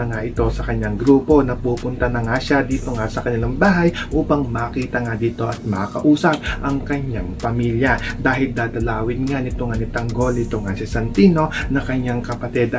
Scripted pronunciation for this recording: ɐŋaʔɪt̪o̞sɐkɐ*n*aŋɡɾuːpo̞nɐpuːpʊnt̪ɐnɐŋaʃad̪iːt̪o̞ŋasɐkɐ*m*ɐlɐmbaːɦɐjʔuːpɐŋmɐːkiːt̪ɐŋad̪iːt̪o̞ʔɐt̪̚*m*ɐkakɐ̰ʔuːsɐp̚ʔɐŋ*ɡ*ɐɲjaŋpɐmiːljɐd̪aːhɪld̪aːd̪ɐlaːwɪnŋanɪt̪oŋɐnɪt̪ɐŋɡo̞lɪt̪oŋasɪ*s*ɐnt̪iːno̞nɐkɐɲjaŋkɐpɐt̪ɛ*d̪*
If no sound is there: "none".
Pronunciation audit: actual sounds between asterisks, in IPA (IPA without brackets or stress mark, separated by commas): ɲ, ɲ, m, k, s, d̪